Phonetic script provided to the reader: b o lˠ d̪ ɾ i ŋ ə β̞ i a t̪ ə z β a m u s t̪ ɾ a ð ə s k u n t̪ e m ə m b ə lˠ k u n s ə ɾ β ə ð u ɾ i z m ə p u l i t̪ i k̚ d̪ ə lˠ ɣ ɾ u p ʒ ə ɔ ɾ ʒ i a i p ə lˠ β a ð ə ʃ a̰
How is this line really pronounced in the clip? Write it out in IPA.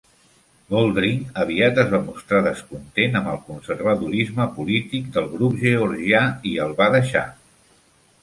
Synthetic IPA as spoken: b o lˠ d̪ ɾ i ŋ ə β̞ i a t̪ ə z β a m u s t̪ ɾ a ð ə s k u n t̪ e n ə m b ə lˠ k u n s ə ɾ β ə ð u ɾ i z m ə p u l i t̪ i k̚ d̪ ə lˠ ɣ ɾ u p ʒ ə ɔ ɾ ʒ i a i ə lˠ β a ð ə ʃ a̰